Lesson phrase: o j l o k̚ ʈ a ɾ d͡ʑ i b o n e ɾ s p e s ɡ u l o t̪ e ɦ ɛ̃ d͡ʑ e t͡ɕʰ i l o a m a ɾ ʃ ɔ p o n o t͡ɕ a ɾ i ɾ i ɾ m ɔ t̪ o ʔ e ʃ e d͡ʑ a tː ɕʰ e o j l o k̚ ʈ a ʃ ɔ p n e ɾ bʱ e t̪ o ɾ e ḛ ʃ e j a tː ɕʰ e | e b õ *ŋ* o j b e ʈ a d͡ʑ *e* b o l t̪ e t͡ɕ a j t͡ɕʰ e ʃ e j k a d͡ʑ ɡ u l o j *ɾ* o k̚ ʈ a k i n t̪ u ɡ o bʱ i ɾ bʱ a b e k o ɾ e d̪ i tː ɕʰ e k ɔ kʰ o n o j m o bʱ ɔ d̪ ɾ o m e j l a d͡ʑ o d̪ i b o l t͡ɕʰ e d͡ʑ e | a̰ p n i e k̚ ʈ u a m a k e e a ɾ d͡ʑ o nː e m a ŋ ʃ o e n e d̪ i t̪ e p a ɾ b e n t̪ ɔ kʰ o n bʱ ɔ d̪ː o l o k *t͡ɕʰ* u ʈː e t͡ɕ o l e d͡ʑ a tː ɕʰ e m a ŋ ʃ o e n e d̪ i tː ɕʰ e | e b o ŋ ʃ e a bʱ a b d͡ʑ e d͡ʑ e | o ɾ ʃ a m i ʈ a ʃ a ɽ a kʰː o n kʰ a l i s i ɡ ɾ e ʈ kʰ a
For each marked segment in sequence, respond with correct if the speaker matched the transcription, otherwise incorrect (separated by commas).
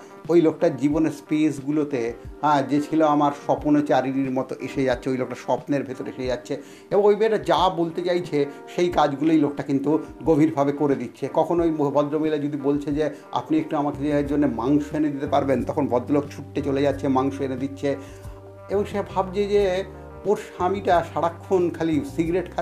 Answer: correct, incorrect, incorrect, correct